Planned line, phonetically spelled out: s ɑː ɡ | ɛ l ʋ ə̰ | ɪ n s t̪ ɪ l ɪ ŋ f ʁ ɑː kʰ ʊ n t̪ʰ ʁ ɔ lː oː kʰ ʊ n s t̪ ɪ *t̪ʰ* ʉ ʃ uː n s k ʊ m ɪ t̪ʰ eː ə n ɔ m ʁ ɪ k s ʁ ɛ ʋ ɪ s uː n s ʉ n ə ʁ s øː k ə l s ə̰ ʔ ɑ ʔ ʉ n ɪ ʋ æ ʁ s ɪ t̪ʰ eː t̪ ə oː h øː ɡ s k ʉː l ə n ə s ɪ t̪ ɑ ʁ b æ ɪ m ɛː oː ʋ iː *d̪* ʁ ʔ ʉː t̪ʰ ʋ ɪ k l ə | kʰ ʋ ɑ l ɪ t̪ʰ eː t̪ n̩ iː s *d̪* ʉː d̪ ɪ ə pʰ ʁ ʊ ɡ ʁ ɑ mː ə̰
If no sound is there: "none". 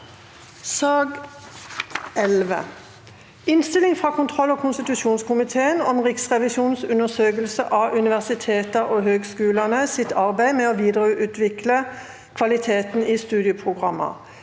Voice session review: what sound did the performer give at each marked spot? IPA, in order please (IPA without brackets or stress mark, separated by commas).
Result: t̪, d̪, t̪